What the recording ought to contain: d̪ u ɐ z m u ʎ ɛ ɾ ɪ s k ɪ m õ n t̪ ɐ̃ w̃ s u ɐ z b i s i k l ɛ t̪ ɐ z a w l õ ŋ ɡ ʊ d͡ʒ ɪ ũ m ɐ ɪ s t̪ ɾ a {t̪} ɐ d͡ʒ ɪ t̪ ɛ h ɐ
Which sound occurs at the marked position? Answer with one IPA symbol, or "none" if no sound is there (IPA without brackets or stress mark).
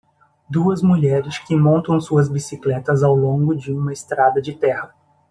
d̪